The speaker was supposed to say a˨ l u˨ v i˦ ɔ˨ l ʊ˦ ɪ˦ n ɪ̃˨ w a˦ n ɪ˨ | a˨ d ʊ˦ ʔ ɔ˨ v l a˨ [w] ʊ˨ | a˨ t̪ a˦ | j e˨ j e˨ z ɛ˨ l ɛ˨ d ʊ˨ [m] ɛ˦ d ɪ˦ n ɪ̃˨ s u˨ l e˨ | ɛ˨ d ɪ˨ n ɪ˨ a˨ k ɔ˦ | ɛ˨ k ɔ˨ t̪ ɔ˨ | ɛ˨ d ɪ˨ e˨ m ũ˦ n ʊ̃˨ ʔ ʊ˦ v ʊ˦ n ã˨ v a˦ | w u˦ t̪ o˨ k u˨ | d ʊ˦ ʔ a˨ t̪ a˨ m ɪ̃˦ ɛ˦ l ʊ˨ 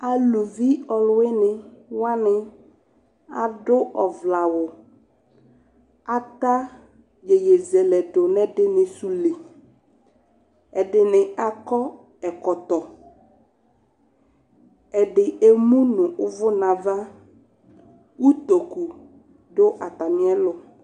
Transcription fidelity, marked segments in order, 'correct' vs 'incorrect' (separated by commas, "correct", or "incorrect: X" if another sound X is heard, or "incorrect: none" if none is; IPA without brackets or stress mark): correct, incorrect: n